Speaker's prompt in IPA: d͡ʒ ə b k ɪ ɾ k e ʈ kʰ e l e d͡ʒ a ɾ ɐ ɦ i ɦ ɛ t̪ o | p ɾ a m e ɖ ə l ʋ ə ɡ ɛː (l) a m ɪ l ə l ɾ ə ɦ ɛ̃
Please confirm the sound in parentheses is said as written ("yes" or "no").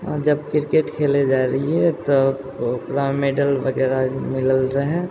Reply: no